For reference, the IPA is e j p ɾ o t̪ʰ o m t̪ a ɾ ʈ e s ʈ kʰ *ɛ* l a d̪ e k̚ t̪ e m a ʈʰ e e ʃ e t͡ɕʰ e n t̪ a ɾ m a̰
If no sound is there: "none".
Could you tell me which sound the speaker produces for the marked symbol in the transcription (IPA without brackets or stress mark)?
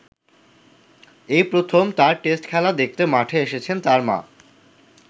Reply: ɛ